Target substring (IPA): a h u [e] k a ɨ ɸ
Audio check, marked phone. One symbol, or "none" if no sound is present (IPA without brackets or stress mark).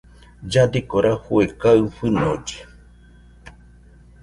e